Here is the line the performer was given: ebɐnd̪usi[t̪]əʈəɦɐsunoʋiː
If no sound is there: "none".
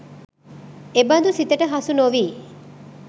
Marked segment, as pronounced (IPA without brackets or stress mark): t̪